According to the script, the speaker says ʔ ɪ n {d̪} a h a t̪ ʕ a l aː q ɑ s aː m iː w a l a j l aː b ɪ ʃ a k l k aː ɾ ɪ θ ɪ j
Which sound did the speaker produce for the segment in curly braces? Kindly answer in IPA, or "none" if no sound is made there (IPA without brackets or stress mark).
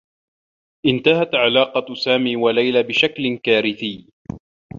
t̪